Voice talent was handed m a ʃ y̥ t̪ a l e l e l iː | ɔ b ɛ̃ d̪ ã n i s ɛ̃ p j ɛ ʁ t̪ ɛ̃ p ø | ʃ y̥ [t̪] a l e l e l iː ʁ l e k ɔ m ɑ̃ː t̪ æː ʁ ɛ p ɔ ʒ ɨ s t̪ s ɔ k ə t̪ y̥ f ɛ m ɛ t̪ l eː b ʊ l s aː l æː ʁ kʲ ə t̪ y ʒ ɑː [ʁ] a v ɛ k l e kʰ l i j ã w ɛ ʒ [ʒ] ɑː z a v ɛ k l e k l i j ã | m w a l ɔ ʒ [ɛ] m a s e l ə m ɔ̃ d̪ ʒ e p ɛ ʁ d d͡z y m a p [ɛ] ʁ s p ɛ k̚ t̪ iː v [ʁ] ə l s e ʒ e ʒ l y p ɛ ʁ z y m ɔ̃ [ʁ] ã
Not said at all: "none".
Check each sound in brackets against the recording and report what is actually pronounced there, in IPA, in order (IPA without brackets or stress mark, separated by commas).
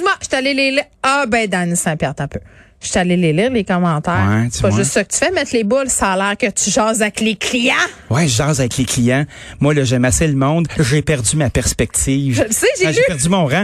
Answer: t̪, z, ʒ, ɛ, ɛ, ʒ, ʁ